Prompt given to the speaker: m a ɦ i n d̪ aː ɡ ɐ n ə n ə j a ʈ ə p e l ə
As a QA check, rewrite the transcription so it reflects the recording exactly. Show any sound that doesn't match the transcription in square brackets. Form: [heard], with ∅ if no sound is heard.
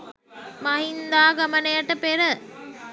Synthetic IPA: m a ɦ i n d̪ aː ɡ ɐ [m] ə n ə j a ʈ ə p e [ɾ] ə